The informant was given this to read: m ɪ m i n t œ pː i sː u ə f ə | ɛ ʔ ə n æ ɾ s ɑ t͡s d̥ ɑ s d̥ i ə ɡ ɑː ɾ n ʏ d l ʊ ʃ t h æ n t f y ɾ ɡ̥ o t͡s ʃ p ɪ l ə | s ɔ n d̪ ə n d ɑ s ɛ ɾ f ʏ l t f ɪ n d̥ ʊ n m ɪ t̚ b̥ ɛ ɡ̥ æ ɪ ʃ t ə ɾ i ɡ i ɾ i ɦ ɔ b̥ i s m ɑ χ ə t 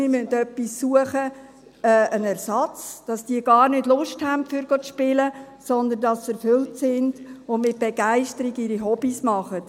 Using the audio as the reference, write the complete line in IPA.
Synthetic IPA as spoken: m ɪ m y n t œ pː i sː u ə χ ə | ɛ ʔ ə n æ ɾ s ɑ t͡s d̥ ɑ s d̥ i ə ɡ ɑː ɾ n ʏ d l ʊ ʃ t h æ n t f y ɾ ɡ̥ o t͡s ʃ p ɪ l ə | s ɔ n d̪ ə n d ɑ s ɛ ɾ f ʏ l t s ɪ n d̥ ʊ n m ɪ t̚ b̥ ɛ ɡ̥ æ ɪ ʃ t ə ɾ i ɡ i ɾ i ɦ ɔ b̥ i s m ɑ χ ə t